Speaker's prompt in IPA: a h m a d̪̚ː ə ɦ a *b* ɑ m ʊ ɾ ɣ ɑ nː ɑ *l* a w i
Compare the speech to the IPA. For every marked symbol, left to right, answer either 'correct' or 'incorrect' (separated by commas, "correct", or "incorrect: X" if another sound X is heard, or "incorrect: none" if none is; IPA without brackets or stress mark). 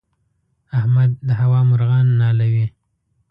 incorrect: w, correct